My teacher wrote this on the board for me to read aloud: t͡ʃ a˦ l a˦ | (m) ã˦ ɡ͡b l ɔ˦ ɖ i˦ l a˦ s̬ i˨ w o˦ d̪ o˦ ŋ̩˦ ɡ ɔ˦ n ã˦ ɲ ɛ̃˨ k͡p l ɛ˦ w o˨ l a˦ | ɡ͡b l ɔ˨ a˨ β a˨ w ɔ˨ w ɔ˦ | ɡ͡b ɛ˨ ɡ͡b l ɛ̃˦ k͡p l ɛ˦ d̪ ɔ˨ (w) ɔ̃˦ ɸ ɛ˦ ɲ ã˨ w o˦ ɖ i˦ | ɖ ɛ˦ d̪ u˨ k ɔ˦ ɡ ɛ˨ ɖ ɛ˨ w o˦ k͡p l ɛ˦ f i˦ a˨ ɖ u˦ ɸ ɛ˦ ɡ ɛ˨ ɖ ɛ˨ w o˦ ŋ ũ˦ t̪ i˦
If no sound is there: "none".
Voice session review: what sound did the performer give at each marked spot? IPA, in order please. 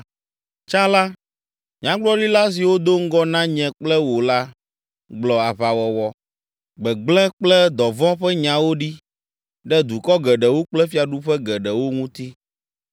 ɲ, v

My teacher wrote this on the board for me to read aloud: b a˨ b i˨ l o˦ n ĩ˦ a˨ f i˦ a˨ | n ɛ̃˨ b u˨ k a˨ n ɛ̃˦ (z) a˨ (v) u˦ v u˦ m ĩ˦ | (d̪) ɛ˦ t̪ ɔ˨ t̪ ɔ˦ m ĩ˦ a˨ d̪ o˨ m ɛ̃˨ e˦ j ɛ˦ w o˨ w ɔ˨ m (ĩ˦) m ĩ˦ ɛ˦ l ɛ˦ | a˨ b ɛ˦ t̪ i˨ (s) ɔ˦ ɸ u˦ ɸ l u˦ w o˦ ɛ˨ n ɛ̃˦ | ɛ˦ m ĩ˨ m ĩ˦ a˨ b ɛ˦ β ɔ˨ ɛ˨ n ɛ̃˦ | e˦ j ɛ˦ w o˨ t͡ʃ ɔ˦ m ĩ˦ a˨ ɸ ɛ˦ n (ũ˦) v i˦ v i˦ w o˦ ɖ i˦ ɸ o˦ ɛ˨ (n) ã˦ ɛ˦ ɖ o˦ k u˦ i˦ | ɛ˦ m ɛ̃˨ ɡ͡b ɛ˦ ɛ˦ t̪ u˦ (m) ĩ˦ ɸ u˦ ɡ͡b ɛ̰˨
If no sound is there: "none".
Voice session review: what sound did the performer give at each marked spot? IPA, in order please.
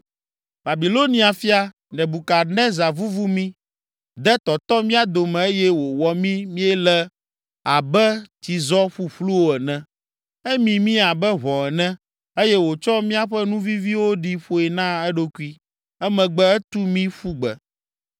z, v, d̪, ĩ˦, z, ũ˦, n, m

